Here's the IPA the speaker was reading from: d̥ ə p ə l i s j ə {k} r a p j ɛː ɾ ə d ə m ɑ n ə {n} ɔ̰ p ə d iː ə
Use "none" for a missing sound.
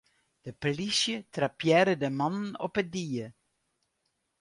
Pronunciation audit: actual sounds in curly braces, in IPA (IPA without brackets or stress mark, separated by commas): t, n